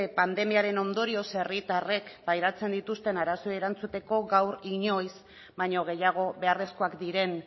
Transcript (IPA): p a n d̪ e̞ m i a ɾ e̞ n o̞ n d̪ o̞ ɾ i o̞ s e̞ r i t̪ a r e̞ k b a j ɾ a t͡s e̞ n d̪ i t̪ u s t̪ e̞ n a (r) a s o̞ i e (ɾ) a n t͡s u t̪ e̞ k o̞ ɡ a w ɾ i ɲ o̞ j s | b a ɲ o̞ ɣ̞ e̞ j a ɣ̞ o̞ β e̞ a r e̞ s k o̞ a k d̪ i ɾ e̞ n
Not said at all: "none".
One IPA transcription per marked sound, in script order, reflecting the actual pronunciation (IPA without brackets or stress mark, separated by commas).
ɾ, ɾ